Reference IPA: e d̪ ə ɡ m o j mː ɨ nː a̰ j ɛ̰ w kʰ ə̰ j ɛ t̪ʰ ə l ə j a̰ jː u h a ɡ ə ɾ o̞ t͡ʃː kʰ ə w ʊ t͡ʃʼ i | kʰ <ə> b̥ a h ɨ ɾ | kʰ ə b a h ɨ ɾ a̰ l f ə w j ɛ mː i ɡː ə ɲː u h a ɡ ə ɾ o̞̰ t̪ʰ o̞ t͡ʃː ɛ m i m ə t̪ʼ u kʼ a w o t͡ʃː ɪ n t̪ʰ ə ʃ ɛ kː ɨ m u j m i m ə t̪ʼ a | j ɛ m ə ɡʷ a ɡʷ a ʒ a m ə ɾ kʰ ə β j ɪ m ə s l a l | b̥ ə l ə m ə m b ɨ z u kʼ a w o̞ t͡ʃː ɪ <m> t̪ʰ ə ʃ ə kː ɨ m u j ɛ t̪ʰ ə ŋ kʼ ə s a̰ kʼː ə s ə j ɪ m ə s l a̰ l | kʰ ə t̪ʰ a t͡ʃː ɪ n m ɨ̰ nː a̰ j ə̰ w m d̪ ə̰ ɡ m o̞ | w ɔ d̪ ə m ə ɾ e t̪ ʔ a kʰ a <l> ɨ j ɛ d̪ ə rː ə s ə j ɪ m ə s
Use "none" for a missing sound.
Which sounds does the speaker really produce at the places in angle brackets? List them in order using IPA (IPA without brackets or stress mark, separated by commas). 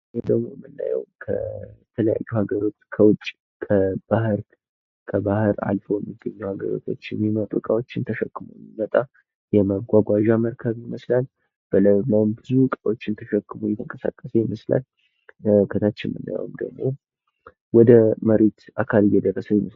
ə, n, l